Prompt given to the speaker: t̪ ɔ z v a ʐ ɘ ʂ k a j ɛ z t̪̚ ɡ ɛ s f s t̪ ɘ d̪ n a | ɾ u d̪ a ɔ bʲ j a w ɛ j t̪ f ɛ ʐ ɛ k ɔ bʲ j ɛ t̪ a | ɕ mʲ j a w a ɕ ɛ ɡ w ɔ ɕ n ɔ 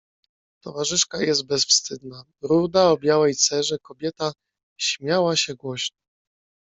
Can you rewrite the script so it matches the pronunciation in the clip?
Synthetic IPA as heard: t̪ ɔ v a ʐ ɘ ʂ k a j ɛ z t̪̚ b ɛ s f s t̪ ɘ d̪ n a | ɾ u d̪ a ɔ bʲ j a w ɛ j t̪ s ɛ ʐ ɛ k ɔ bʲ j ɛ t̪ a | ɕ mʲ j a w a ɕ ɛ ɡ w ɔ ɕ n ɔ